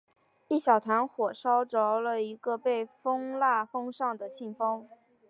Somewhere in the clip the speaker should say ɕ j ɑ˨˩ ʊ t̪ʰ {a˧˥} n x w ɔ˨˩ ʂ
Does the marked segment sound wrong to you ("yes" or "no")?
no